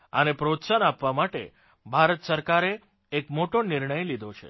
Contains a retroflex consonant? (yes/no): yes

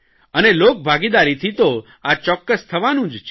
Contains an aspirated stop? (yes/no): yes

